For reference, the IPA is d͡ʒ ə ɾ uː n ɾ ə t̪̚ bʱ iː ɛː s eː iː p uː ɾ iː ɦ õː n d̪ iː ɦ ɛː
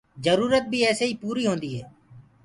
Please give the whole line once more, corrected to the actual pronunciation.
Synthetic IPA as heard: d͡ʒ ə ɾ uː ɾ ə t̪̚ bʱ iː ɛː s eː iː p uː ɾ iː ɦ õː n d̪ iː ɦ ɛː